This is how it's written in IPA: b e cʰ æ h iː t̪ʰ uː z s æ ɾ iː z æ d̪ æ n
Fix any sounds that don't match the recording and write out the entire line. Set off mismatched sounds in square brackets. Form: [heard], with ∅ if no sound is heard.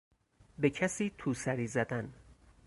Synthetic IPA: b e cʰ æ [s] iː t̪ʰ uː [∅] s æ ɾ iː z æ d̪ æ n